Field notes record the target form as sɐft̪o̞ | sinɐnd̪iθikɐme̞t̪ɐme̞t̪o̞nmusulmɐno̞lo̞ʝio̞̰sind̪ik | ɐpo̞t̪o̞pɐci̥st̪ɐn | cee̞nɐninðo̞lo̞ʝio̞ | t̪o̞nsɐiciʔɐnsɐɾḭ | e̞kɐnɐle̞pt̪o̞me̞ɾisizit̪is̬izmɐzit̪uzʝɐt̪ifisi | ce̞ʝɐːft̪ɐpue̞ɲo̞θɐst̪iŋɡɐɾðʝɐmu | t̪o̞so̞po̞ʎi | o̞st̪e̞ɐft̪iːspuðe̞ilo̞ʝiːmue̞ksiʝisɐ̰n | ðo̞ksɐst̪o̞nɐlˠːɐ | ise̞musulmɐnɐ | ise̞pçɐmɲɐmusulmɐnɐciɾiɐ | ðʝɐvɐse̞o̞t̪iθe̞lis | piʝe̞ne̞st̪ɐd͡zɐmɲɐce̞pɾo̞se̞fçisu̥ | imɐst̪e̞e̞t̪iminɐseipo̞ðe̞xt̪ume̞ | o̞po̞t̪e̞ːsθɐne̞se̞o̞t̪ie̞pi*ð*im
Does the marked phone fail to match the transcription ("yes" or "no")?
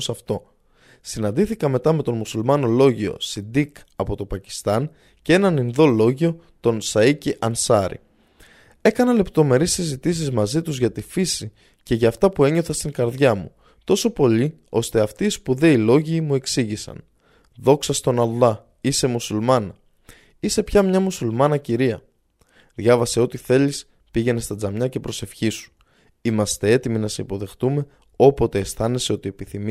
yes